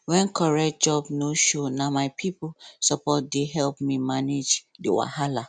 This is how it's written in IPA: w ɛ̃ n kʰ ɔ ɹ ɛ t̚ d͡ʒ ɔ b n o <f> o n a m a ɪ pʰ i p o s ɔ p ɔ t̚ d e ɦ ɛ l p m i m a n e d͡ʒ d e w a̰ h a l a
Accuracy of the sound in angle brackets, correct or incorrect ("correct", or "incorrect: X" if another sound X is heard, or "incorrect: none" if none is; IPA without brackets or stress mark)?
incorrect: ʃ